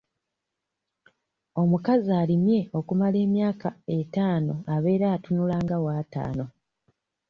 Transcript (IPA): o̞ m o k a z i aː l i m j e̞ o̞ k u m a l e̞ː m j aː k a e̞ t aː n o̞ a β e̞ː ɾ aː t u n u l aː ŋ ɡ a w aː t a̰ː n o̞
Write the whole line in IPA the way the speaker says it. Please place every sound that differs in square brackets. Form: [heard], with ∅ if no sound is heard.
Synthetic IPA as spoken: o̞ m [u] k a z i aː l i m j e̞ o̞ k u m a l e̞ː m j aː k a e̞ t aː n o̞ a β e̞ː ɾ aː t u n u l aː ŋ ɡ a w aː t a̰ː n o̞